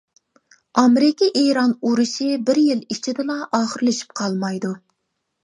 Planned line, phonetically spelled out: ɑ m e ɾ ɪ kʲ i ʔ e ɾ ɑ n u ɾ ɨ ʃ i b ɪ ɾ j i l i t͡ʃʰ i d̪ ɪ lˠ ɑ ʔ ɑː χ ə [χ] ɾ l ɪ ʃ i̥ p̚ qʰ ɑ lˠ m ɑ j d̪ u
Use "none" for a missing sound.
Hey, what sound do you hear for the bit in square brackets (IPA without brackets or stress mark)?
none